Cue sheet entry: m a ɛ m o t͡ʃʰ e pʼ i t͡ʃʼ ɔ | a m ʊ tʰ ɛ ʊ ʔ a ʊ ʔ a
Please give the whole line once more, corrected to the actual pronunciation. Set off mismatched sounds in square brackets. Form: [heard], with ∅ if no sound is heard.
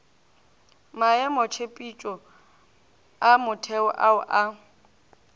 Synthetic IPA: m a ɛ m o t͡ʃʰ e pʼ i t͡ʃʼ ɔ | a m ʊ tʰ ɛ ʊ ʔ a ʊ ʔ a